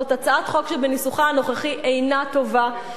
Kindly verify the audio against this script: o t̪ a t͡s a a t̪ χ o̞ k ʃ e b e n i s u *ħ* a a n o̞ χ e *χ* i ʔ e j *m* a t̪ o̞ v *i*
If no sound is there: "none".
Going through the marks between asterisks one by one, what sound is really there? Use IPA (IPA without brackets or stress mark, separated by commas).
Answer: χ, χ, n, a